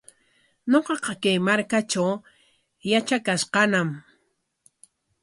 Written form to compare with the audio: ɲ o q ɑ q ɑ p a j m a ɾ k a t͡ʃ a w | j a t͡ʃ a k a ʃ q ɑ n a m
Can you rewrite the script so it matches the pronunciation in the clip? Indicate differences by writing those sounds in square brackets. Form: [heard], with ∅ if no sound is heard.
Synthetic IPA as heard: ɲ o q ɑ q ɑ [k] a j m a ɾ k a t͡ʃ a w | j a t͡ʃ a k a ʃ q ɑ n a m